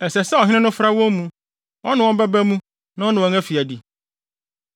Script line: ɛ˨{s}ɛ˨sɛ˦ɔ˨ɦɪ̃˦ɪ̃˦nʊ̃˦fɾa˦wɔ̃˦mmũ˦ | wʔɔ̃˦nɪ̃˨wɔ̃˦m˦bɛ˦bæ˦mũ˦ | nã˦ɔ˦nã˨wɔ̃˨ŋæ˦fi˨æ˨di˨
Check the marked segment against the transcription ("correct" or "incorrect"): correct